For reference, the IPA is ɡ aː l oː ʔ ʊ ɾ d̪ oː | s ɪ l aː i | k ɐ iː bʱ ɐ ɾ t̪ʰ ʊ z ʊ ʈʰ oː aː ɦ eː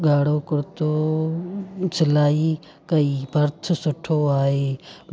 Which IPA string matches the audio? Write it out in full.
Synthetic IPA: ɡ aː ɽ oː k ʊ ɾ t̪ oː | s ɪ l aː i | k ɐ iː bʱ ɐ ɾ t̪ʰ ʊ s ʊ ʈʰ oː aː ɦ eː

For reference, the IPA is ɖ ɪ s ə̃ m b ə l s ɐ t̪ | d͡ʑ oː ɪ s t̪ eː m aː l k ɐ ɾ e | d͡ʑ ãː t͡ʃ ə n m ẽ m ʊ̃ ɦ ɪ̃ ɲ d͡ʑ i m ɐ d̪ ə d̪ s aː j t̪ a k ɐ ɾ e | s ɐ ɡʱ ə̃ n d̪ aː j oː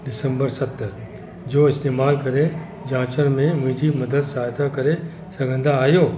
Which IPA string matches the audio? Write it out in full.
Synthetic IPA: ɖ ɪ s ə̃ m b ə ɾ s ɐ t̪ | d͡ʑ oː ɪ s t̪ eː m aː l k ɐ ɾ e | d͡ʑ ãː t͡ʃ ə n m ẽ m ʊ̃ ɦ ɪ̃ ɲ d͡ʑ i m ɐ d̪ ə d̪ s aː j t̪ a k ɐ ɾ e | s ɐ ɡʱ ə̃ n d̪ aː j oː

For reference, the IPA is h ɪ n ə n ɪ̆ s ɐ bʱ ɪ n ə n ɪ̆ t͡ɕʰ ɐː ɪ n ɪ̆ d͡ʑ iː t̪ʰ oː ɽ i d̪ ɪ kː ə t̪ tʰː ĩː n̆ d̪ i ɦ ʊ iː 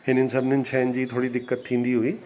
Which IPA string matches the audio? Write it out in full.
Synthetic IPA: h ɪ n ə n ɪ̆ s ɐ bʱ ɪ n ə n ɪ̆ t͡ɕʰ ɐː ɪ n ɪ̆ d͡ʑ iː t̪ʰ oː ɽ i d̪ ɪ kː ə t̪ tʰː ĩː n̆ d̪ i ɦ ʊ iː

